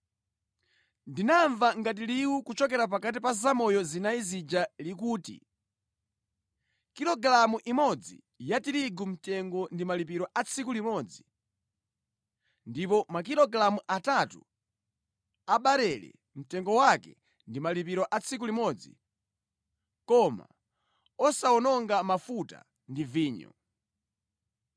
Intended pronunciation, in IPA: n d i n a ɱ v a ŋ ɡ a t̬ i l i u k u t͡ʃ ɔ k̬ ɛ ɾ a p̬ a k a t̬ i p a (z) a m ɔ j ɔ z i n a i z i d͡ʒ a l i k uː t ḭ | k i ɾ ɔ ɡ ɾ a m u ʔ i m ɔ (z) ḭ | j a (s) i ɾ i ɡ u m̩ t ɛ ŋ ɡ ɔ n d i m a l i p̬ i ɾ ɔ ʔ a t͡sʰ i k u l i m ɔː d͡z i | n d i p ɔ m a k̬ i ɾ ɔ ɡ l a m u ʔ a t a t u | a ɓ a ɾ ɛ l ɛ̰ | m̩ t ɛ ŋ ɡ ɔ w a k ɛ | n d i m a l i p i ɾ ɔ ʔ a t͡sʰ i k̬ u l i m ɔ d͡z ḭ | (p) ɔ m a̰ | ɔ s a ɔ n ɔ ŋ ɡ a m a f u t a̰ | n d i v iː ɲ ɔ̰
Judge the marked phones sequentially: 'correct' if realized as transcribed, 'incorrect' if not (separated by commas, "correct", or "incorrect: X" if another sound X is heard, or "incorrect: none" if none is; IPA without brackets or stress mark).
correct, incorrect: d͡z, incorrect: t, incorrect: k